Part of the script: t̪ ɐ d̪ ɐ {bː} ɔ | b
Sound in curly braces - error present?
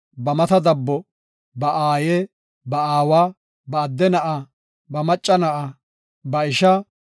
no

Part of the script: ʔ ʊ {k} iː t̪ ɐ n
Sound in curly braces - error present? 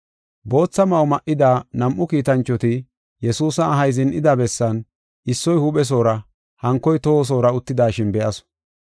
no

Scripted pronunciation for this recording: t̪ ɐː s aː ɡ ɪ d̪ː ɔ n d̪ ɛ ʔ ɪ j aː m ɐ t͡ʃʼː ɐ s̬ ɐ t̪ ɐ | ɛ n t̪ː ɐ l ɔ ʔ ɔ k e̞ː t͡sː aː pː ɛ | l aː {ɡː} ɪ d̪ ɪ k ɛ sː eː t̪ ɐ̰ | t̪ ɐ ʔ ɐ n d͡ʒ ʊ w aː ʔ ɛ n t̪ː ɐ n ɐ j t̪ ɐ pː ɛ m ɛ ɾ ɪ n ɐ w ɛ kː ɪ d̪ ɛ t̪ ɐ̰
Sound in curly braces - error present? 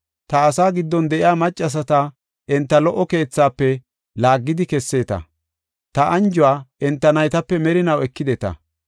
no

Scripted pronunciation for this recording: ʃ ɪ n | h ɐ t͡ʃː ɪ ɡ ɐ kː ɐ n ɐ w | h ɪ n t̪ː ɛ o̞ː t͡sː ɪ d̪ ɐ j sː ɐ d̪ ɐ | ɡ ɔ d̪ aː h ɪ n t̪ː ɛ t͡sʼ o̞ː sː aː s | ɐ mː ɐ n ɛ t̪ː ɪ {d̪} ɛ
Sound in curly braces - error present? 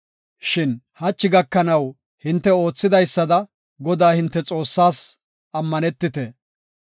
yes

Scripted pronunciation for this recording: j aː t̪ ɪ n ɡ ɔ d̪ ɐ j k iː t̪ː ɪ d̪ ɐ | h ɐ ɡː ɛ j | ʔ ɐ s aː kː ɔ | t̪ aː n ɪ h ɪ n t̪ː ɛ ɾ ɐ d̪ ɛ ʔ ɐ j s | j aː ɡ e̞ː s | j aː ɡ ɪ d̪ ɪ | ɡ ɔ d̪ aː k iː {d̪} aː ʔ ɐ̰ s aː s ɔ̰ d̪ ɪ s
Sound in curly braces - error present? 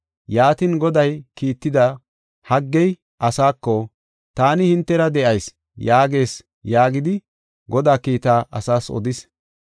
yes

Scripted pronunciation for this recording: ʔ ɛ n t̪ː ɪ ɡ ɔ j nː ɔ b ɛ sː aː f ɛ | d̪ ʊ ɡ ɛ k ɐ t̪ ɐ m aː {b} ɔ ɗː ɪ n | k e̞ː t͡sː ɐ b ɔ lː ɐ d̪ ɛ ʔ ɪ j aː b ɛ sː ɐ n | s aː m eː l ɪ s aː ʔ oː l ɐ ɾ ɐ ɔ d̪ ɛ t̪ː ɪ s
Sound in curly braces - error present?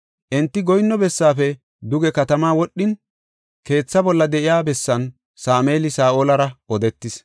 yes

